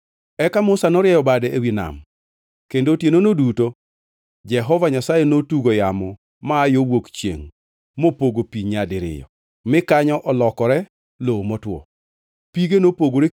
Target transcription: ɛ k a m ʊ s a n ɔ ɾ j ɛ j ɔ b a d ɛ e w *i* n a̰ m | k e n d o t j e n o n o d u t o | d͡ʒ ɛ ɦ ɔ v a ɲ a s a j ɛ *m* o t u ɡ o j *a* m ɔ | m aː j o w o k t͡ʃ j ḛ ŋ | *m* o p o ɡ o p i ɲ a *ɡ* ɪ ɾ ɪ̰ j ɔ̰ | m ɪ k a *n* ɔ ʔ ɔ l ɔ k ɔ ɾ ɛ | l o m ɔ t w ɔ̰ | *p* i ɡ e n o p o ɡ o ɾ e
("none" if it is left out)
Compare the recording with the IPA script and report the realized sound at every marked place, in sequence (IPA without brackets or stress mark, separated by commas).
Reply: i, n, a, m, d, ɲ, p